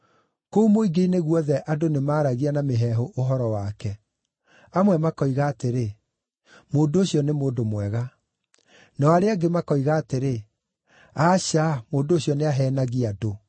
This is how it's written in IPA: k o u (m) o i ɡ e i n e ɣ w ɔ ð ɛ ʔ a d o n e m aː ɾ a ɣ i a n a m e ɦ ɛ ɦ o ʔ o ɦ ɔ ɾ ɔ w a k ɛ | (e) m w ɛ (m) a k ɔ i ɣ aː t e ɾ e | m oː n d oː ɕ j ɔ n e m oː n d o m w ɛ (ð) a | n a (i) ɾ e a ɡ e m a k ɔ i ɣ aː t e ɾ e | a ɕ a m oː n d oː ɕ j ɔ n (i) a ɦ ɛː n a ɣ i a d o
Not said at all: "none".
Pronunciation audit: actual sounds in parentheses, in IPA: m, a, m, ɣ, a, e

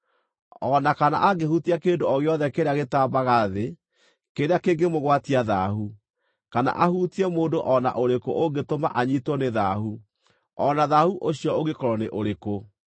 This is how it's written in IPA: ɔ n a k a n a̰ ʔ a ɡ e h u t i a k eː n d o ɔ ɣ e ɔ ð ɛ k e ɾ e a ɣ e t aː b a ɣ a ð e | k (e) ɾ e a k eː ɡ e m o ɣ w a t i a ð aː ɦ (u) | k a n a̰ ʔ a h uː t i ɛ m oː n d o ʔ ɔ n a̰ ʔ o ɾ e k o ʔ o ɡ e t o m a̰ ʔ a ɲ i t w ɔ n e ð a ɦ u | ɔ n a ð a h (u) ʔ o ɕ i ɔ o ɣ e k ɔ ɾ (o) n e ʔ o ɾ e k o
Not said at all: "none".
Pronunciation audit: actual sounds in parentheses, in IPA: e, u, u, ɔ

